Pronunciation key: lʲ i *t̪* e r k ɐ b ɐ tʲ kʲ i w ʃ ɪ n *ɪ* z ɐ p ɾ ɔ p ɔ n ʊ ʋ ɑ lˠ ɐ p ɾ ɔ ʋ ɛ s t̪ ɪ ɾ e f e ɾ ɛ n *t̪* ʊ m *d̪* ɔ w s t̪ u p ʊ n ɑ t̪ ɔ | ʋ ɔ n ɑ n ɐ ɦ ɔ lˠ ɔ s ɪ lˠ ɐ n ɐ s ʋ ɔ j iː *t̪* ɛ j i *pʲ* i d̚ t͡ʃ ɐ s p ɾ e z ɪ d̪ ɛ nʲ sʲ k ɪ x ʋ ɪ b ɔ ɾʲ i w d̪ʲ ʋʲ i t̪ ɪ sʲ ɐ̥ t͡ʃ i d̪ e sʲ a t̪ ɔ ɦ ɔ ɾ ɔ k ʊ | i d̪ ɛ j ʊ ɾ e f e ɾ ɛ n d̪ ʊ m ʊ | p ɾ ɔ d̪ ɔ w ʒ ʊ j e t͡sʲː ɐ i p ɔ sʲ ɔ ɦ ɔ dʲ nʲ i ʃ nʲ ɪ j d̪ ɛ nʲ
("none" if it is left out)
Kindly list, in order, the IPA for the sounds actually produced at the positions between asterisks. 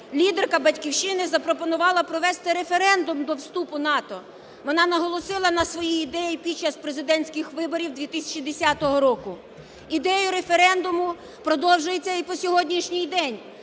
d̪, ɪ, d̪, d̪, d̪, pʲ

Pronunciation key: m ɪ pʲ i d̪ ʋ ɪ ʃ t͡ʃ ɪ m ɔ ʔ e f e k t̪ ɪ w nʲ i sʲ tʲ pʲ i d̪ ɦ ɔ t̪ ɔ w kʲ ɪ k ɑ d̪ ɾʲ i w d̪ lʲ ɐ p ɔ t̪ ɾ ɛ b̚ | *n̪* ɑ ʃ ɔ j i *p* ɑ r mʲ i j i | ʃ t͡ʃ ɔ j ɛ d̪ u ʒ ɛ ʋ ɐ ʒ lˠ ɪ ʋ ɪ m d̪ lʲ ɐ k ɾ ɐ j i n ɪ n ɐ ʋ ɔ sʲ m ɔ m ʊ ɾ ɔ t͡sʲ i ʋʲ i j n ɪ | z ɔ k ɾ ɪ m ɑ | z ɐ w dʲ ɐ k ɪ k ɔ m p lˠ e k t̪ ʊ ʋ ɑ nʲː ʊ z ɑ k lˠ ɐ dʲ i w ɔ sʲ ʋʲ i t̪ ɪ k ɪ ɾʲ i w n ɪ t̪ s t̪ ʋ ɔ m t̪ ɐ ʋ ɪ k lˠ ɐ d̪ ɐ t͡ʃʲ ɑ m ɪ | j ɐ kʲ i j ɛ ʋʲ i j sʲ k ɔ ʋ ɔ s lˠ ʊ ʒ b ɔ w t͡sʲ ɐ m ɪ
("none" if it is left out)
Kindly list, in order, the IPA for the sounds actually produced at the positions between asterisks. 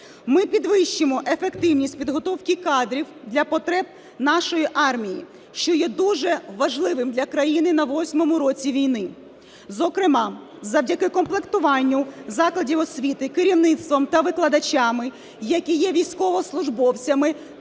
n̪, ʔ

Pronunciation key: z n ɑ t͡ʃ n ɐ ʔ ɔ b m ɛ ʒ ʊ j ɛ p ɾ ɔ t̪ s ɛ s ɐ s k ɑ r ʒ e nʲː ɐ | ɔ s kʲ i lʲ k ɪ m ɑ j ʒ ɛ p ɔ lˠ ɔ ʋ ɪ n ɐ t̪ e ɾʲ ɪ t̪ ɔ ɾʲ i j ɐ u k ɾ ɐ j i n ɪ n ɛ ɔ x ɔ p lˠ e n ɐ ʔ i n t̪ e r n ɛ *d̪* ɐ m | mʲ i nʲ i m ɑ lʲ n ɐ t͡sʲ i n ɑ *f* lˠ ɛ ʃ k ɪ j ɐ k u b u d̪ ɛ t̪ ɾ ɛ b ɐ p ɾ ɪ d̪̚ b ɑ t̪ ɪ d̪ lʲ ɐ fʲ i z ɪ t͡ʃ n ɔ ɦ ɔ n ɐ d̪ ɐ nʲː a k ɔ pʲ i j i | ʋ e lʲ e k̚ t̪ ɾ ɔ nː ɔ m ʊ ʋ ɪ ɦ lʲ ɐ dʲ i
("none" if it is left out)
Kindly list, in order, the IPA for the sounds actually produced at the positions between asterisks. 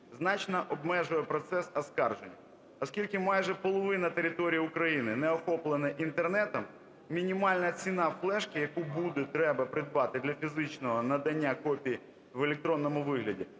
t̪, f

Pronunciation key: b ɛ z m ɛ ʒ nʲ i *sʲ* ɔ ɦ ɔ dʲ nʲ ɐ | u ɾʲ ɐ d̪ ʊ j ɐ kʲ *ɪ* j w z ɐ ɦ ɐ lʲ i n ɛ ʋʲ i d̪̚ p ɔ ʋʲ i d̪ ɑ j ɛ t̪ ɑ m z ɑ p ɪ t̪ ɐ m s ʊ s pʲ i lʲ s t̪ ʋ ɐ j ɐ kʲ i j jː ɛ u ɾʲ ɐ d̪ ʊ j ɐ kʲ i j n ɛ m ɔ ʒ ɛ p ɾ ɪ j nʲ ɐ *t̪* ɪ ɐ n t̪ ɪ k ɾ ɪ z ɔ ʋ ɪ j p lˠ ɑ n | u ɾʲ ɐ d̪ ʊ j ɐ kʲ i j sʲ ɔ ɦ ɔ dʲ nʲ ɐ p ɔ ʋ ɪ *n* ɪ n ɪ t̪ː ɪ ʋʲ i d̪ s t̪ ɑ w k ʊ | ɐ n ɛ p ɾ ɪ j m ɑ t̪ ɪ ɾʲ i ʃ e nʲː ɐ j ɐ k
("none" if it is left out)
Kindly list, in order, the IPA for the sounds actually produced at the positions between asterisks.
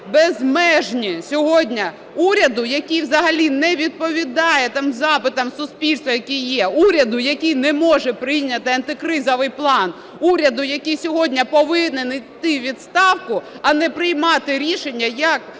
sʲ, i, t̪, n

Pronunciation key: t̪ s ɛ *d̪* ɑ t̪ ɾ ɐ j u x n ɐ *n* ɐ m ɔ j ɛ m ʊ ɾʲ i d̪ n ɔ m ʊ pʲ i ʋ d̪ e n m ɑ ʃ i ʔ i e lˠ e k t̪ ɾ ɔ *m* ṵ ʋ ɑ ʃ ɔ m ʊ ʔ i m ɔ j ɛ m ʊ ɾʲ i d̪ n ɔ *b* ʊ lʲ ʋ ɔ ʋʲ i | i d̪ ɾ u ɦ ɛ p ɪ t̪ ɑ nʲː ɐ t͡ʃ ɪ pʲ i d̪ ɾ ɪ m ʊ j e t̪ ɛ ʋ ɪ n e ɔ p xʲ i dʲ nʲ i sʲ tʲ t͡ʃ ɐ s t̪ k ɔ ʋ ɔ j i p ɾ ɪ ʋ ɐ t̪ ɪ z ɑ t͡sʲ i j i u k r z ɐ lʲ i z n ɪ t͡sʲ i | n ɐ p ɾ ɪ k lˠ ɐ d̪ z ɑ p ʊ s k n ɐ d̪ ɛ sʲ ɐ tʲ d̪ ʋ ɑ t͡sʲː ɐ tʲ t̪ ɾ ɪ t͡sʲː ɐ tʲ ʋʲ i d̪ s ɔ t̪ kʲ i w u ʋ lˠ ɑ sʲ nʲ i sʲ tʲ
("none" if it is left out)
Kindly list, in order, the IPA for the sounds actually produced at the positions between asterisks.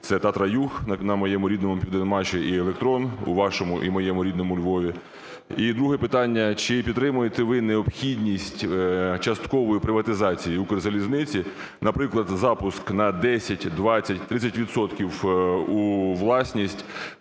t̪, n, n, m

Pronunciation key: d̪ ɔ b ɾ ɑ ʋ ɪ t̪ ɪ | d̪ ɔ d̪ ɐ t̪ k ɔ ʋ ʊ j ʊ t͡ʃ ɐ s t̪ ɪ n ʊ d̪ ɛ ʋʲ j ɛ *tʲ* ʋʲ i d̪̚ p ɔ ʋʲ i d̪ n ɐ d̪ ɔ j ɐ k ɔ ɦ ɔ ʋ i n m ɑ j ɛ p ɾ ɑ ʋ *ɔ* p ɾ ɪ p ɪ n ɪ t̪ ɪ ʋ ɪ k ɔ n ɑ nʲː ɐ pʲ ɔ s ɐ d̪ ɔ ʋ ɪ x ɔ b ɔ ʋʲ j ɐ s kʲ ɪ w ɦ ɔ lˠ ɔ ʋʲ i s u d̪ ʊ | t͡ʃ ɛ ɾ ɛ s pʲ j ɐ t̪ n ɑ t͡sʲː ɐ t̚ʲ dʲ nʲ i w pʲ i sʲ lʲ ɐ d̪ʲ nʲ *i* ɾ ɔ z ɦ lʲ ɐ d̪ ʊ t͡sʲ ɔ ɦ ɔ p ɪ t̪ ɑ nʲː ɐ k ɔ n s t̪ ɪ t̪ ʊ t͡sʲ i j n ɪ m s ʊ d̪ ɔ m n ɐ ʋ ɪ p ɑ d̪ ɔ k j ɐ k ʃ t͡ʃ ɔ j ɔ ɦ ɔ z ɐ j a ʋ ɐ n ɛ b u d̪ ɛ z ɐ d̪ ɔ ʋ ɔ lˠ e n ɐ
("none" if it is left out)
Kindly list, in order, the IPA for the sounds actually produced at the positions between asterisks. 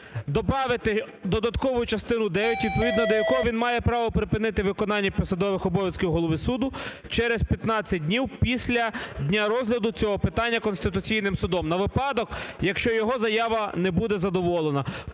tʲ, ɔ, a

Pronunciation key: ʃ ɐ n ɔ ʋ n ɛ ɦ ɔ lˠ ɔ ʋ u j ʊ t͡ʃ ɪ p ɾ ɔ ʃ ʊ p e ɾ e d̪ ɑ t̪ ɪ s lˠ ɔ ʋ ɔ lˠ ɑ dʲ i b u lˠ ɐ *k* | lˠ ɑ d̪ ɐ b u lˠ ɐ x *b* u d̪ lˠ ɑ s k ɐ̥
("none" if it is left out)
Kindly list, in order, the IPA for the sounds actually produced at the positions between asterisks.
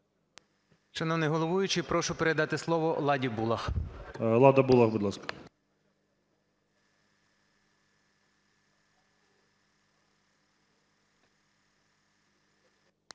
x, b

